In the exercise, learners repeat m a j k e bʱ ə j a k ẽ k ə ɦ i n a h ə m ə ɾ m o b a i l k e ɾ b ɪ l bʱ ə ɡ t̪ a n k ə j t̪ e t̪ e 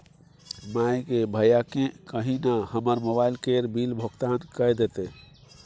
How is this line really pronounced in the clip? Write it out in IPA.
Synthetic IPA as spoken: m a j k e bʱ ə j a k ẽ k ə ɦ i n a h ə m ə ɾ m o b a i l k e ɾ b i l bʱ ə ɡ t̪ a n k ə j d̪ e t̪ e